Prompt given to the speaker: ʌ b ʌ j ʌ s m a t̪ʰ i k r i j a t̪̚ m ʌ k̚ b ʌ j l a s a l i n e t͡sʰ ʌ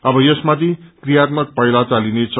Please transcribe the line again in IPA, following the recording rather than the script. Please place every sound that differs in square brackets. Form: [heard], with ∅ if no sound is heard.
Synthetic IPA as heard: ʌ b ʌ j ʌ s m a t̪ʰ i k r i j a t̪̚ m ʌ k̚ [p] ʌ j l a [t͡s] a l i n e t͡sʰ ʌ